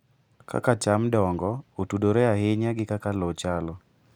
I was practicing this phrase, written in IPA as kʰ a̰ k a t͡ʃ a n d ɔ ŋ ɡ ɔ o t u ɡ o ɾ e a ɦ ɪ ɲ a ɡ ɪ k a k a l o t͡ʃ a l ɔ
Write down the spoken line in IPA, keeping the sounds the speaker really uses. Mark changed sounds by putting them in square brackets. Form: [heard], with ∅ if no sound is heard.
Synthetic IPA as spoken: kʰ a̰ k a t͡ʃ a [m] d ɔ ŋ ɡ ɔ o t u [d] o ɾ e a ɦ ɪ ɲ a ɡ ɪ k a k a l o t͡ʃ a l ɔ